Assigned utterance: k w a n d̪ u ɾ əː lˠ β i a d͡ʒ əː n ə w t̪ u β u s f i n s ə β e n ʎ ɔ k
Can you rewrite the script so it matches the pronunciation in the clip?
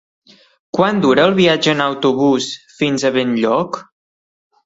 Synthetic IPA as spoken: k w a n d̪ u ɾ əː lˠ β i a d͡ʒ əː n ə w t̪ u β u s f i n z ə β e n ʎ ɔ k